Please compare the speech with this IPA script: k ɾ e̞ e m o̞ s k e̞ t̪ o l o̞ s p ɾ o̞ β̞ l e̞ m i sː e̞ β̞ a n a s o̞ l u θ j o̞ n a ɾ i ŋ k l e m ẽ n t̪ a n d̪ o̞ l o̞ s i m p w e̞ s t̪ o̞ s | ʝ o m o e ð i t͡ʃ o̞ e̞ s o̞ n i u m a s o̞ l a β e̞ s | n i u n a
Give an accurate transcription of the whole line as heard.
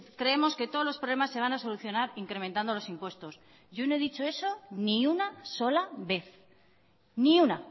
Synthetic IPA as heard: k ɾ e̞ e m o̞ s k e̞ t̪ o l o̞ s p ɾ o̞ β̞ l e̞ m a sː e̞ β̞ a n a s o̞ l u θ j o̞ n a ɾ i ŋ k ɾ e m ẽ n t̪ a n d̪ o̞ l o̞ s i m p w e̞ s t̪ o̞ s | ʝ o n o e ð i t͡ʃ o̞ e̞ s o̞ n i u n a s o̞ l a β e̞ θ | n i u n a